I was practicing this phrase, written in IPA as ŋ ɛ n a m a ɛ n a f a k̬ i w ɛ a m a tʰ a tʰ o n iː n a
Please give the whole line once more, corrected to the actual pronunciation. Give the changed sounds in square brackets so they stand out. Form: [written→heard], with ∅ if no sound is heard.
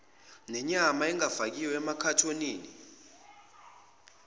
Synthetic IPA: [ŋ→n] ɛ [n→ɲ] a m a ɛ [n→ŋ] a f a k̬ i w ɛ [a→ɛ] m a [tʰ→kʰ] a tʰ o n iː n [a→i]